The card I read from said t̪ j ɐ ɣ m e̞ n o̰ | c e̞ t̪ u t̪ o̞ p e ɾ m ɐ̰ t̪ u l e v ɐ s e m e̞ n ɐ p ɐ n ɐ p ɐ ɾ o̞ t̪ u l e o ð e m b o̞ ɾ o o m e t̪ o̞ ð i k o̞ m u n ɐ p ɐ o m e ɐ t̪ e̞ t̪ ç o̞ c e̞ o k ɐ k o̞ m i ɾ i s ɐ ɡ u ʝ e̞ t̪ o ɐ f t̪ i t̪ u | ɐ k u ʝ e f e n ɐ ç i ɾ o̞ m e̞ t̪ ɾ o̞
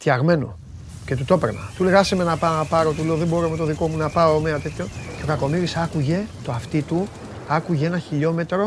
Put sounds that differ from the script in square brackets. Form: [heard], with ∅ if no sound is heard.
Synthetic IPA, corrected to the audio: t̪ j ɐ ɣ m e̞ n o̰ | c e̞ t̪ u t̪ o̞ p e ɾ [n] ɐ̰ t̪ u l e [ɣ] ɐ s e m e̞ n ɐ p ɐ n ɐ p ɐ ɾ o̞ t̪ u l e o ð e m b o̞ ɾ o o m e t̪ o̞ ð i k o̞ m u n ɐ p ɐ o m e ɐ t̪ e̞ t̪ ç o̞ c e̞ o k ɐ k o̞ m i ɾ i s ɐ [k] u ʝ e̞ t̪ o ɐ f t̪ i t̪ u | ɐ k u ʝ e [∅] e n ɐ ç i [ʎ] o̞ m e̞ t̪ ɾ o̞